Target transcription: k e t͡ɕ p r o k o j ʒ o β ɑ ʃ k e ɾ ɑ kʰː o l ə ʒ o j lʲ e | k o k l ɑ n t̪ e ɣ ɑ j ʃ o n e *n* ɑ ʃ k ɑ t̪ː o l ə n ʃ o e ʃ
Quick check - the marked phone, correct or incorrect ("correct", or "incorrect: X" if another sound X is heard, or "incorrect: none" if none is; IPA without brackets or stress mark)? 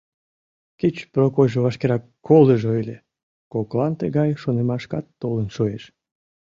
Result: incorrect: m